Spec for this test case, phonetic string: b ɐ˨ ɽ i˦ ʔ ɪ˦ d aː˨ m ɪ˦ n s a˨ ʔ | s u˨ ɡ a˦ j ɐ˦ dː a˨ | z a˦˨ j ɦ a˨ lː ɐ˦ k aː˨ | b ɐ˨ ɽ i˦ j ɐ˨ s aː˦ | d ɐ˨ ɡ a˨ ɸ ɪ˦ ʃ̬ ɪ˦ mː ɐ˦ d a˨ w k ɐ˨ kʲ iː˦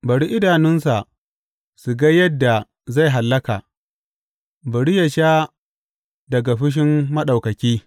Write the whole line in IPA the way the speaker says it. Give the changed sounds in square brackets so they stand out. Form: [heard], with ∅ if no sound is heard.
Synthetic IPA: b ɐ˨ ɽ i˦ ʔ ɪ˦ d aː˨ [n] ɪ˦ n s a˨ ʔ | s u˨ ɡ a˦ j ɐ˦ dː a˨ | z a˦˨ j ɦ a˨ lː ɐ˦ k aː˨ | b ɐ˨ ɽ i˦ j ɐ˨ [ʃ] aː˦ | d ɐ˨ ɡ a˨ ɸ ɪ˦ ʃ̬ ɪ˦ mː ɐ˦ [ɗ] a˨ w k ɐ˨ kʲ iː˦

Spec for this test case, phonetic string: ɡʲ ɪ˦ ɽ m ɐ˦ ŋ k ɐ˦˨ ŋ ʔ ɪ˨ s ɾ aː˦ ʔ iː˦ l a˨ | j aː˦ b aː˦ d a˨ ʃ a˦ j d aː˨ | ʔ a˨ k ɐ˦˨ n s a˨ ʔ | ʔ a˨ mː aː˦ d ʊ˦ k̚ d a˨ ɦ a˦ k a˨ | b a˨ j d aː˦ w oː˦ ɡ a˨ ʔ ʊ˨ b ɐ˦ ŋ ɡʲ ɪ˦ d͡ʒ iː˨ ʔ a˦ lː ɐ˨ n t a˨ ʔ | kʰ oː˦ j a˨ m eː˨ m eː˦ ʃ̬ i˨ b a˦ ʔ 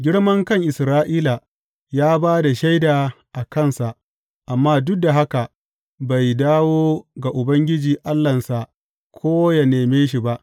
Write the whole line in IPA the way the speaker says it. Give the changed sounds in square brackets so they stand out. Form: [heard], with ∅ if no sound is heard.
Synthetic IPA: ɡʲ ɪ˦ ɽ m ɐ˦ ŋ k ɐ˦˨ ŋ ʔ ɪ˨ s ɾ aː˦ ʔ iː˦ l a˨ | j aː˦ b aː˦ d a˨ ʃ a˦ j d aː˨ | ʔ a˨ k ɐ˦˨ n s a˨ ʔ | ʔ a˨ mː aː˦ d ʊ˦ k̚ d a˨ ɦ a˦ k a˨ | b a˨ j d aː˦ w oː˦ ɡ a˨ ʔ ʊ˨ b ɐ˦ ŋ ɡʲ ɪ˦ d͡ʒ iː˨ ʔ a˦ lː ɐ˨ n [s] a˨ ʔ | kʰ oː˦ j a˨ [n] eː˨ m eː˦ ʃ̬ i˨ b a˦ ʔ

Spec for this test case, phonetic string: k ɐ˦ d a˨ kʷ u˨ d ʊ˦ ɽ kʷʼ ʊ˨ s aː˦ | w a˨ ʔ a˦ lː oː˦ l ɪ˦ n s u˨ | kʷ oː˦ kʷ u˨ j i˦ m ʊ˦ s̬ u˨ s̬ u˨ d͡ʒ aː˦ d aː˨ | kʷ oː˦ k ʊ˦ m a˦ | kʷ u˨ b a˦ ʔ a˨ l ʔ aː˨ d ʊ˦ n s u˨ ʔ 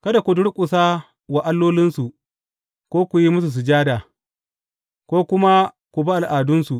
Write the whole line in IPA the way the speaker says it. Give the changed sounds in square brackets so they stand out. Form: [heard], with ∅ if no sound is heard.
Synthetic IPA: k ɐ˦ d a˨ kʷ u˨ d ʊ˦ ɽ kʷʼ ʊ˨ s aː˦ | w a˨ ʔ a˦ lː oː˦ l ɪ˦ n s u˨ | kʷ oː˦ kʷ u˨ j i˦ m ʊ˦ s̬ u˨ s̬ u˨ d͡ʒ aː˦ d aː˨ | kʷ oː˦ k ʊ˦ m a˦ | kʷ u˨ b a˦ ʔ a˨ l ʔ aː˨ d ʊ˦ n s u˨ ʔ

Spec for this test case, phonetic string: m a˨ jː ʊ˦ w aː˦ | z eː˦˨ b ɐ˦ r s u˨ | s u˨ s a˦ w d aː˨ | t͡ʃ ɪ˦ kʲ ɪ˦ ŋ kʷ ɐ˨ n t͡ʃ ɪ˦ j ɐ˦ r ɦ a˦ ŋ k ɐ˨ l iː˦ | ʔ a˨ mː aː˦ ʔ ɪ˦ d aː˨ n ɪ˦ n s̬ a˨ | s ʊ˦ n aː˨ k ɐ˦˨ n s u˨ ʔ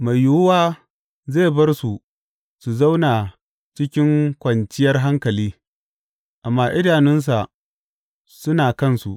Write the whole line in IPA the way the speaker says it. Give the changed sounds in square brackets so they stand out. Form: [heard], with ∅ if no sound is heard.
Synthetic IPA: m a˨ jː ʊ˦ w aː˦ | z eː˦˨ b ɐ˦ r s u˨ | s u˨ [z] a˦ w [n] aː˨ | t͡ʃ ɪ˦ kʲ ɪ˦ ŋ kʷ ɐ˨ n t͡ʃ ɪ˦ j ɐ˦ r ɦ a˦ ŋ k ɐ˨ l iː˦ | ʔ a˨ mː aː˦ ʔ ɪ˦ d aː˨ n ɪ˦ n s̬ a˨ | s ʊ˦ n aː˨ k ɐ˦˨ n s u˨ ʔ

